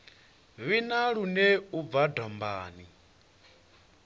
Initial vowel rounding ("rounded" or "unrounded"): unrounded